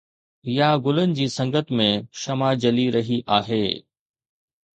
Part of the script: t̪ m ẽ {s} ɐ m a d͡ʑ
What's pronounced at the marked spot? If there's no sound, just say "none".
ʃ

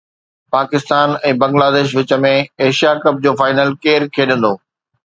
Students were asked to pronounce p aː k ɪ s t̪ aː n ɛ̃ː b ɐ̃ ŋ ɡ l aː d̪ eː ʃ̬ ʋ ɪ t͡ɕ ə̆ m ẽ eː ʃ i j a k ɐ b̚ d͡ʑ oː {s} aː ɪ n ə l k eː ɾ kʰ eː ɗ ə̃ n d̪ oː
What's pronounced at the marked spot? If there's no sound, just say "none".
f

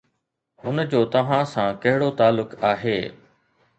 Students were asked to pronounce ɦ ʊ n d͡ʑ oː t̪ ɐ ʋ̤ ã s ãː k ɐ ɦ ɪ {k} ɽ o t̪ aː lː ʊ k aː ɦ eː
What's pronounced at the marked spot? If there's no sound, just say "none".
none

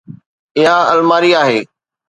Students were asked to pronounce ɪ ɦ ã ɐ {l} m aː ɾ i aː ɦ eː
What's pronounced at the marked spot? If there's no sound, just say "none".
l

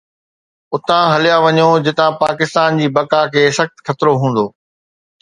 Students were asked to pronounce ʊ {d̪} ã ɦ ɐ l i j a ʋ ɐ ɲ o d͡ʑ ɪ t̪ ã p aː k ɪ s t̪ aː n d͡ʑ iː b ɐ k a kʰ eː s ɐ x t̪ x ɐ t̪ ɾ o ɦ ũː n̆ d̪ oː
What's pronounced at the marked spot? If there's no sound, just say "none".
t̪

